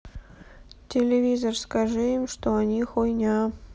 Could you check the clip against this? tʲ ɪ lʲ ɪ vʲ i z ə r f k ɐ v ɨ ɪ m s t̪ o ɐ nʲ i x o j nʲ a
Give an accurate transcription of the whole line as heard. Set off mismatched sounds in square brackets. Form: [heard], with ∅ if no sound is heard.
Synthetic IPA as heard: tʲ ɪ lʲ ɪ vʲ i z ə r [s] k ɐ [ʐ] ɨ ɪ m [ʂ] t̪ o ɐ nʲ i x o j nʲ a